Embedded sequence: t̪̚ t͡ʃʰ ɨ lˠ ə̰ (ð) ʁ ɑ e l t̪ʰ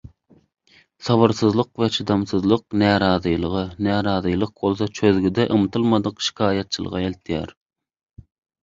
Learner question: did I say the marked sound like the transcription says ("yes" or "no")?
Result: no